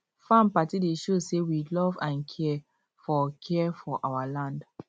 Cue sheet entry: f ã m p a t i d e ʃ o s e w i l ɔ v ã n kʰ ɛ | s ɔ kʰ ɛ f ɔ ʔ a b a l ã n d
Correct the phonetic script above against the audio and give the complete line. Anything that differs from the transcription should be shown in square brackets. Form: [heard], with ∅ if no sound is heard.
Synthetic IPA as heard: f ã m p a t i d e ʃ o s e w i l ɔ v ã n kʰ ɛ | [f] ɔ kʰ ɛ f ɔ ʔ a [w] a l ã n d